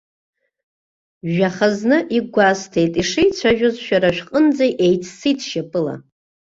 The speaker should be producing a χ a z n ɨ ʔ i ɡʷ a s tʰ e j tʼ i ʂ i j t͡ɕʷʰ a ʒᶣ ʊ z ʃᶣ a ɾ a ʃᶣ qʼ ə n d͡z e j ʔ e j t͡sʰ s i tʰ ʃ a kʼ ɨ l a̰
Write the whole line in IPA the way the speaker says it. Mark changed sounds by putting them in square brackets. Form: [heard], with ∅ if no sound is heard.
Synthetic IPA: a χ a z n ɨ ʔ i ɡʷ a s tʰ e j tʼ i ʂ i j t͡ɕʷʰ a ʒᶣ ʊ z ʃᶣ a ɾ a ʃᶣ qʼ ə n d͡z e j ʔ e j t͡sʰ s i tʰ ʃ a [pʼ] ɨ l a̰